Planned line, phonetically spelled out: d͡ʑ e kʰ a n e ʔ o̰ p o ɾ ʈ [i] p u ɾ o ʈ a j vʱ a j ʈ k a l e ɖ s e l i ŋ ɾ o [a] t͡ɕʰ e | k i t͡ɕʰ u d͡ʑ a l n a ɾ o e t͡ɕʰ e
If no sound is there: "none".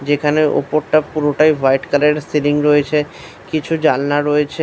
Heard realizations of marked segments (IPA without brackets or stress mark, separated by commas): a, e